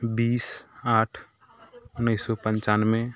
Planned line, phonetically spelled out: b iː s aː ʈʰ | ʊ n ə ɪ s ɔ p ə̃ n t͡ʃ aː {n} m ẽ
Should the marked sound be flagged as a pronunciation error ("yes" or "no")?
no